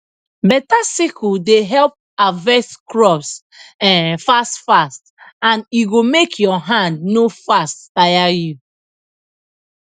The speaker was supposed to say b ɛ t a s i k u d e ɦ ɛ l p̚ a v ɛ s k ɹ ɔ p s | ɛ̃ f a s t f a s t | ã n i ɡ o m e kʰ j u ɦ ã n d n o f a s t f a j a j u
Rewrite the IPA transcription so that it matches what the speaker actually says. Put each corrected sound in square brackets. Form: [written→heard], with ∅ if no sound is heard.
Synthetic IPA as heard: b ɛ t a s i k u d e ɦ ɛ l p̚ a v ɛ s k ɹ ɔ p s | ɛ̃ f a s t f a s t | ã n i ɡ o m e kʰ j [u→ɔ] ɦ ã n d n o f a s t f a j a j u